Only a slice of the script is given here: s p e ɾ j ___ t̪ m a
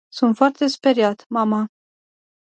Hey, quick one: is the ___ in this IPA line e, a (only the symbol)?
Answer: a